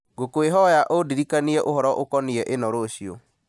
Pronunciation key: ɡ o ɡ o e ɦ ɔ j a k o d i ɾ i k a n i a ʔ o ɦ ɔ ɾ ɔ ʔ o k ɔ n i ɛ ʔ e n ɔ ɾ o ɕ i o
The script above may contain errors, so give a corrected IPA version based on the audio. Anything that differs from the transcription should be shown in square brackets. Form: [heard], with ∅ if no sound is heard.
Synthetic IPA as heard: ɡ o [k] o e ɦ ɔ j a [ʔ] o d i ɾ i k a n i [ɛ] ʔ o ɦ ɔ ɾ ɔ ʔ o k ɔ n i ɛ ʔ e n ɔ ɾ o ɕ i o

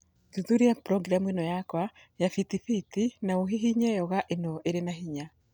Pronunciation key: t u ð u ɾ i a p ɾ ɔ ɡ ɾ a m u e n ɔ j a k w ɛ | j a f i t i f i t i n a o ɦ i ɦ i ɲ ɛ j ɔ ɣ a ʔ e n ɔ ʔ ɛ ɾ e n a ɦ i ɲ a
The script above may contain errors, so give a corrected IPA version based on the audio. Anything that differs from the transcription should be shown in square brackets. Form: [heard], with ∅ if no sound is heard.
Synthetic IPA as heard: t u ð u ɾ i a p ɾ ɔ ɡ ɾ a m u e n ɔ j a k w [a] | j a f i t i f i t i n a o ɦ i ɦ i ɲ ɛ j ɔ ɣ a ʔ e n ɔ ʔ [e] ɾ e n a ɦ i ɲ a

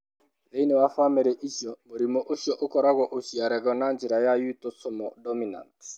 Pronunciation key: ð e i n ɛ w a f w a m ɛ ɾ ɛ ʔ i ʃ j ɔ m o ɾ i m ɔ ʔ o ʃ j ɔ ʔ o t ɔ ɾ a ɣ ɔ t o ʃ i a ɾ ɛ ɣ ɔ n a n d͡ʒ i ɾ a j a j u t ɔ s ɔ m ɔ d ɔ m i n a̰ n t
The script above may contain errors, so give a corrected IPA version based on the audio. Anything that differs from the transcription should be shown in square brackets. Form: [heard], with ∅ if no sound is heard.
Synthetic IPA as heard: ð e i n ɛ w a f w a m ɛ ɾ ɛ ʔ i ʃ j ɔ m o ɾ i m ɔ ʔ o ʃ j ɔ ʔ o [k] ɔ ɾ a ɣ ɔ [ʔ] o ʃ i a ɾ ɛ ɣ ɔ n a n d͡ʒ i ɾ a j a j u t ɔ s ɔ m ɔ d ɔ m i n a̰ n t

